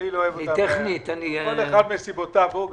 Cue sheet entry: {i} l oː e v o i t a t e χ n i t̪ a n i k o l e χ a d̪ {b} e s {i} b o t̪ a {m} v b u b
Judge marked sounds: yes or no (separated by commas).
yes, no, yes, no